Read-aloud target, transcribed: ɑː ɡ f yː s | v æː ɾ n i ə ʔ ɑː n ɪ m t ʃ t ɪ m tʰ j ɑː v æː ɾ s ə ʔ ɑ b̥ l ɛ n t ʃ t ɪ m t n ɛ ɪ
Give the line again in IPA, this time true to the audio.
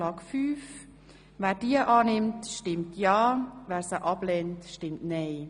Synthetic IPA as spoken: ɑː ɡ f yː f | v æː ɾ d i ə ʔ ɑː n ɪ m t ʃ t ɪ m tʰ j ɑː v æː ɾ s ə ʔ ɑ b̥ l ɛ n t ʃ t ɪ m t n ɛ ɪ